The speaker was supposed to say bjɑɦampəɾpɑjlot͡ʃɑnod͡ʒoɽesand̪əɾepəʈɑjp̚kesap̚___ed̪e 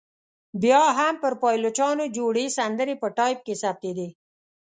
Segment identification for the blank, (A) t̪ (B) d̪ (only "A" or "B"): A